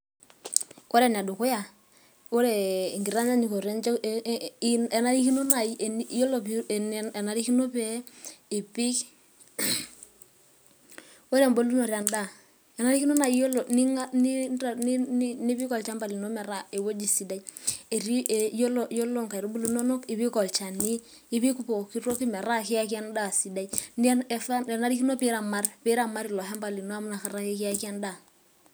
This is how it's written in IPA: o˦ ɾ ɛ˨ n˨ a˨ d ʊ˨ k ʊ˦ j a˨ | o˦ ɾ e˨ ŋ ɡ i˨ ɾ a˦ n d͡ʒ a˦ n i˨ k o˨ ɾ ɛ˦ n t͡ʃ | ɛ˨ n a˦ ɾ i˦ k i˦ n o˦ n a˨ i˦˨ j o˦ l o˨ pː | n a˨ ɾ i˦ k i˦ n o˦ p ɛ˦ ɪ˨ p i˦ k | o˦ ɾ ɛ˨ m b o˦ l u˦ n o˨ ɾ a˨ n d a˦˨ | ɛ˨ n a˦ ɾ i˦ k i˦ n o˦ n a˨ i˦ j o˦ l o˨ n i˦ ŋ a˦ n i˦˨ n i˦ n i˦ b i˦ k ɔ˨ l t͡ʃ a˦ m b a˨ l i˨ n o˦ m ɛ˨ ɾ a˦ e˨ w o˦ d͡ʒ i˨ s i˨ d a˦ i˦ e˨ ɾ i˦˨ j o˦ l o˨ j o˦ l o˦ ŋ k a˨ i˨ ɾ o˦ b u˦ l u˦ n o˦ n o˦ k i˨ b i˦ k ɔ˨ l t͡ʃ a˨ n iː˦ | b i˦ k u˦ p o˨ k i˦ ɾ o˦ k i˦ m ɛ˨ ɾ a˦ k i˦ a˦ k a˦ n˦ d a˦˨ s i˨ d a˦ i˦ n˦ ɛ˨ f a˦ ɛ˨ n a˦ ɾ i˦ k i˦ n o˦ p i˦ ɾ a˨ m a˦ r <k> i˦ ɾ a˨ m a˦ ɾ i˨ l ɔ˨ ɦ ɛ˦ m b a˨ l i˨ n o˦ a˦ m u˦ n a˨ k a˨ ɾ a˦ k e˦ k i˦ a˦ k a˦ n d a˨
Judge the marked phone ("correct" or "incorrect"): incorrect